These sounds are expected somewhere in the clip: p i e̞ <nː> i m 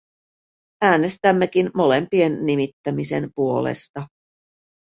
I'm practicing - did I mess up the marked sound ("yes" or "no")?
no